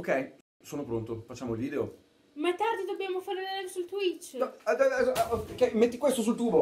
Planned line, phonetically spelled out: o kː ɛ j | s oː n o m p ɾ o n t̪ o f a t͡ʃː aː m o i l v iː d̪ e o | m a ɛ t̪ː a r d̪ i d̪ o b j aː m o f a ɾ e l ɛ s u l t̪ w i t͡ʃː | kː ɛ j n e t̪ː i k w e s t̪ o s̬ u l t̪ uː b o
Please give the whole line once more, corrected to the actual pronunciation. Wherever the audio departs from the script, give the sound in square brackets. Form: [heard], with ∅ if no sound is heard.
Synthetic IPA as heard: o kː ɛ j | s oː n o [∅] p ɾ o n t̪ o f a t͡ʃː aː m o i l v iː d̪ e o | m a ɛ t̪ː a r d̪ i d̪ o b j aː m o f a ɾ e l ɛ s u l t̪ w i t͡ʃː | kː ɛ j [m] e t̪ː i k w e s t̪ o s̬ u l t̪ uː b o